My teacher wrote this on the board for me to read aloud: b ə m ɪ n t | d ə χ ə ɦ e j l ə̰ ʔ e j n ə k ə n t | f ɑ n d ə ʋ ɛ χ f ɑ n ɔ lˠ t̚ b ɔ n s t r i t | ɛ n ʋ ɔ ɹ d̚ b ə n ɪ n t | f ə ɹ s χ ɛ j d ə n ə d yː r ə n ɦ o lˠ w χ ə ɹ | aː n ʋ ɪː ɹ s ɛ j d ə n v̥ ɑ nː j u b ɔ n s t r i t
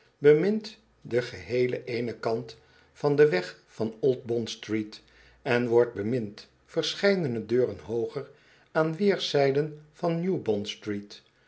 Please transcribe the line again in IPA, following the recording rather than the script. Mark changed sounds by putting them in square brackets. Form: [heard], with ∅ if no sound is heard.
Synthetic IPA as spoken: b ə m ɪ n t | d ə χ ə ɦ e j l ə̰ ʔ e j n ə k [ɑ] n t | f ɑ n d ə ʋ ɛ χ f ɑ n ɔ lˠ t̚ b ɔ n s t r i t | ɛ n ʋ ɔ ɹ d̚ b ə [m] ɪ n t | f ə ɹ s χ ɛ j d ə n ə d [øː] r ə n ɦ o [∅] w χ ə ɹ | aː n ʋ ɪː ɹ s ɛ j d ə n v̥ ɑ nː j u b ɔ n s t r i t